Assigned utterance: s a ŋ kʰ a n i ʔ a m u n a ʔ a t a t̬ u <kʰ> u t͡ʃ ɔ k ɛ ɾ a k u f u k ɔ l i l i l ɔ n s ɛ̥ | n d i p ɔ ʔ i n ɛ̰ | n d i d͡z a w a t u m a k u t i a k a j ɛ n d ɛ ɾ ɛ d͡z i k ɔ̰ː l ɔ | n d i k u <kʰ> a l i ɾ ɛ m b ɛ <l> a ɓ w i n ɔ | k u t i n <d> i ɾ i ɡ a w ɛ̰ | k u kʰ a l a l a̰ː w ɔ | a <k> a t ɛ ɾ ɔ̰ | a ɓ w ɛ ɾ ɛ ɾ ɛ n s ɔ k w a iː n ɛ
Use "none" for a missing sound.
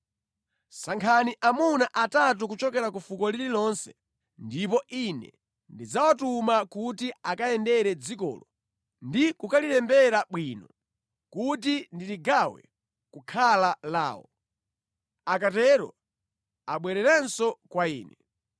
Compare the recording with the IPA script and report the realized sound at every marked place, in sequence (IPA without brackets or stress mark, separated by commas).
k, k, ɾ, d, k